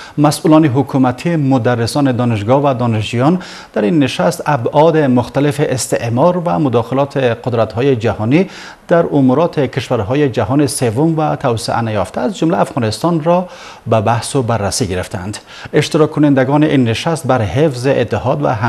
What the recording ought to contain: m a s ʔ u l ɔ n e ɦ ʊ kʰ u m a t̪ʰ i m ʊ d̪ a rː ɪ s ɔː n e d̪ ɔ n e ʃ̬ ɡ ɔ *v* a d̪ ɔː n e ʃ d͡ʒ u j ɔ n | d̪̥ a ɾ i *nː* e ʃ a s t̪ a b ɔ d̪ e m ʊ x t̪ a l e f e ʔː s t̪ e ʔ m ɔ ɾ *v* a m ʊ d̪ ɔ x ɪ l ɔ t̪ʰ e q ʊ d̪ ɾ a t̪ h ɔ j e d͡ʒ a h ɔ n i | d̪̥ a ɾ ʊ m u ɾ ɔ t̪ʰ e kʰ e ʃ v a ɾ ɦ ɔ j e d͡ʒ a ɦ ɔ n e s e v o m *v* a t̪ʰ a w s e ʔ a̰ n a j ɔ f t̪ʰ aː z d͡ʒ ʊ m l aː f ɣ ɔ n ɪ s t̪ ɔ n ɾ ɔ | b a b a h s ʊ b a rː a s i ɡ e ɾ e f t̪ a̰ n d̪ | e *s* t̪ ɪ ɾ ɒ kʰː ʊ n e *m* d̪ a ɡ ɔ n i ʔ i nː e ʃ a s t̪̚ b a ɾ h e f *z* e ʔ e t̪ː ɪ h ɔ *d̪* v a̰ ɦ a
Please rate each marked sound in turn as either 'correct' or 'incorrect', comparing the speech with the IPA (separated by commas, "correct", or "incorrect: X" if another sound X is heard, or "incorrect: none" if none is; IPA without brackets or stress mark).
correct, correct, correct, correct, incorrect: ʃ, incorrect: n, correct, correct